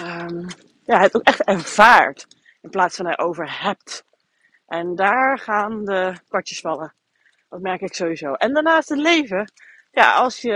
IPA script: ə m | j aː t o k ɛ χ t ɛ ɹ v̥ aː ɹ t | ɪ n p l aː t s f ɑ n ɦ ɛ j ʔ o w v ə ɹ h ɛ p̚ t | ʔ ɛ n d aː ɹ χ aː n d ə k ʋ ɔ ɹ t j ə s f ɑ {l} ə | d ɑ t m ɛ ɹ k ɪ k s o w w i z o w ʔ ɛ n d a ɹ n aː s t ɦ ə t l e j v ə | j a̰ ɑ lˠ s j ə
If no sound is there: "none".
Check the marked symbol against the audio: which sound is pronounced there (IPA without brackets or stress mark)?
l